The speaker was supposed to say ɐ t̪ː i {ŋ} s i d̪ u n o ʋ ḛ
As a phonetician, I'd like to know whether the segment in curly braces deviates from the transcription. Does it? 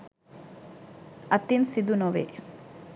yes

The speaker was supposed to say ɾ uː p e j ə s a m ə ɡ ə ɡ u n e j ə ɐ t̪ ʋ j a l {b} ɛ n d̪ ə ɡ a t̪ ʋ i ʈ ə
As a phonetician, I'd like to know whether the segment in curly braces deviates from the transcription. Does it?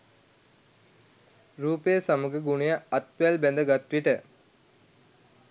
no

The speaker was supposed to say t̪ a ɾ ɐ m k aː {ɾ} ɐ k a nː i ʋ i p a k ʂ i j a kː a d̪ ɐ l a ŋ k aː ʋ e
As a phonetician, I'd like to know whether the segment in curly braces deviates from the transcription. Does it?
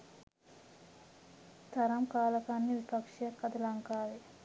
yes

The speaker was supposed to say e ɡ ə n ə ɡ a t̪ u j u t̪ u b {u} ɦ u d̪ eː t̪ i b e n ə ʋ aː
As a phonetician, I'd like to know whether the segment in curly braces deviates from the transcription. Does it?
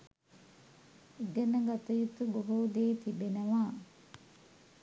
yes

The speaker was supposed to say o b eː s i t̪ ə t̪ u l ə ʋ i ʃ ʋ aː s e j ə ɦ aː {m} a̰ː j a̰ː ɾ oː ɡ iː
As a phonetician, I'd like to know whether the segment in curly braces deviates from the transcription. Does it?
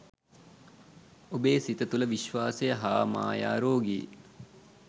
no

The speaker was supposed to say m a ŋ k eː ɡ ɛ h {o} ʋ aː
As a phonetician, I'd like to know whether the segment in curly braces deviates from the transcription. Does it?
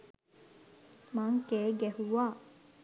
yes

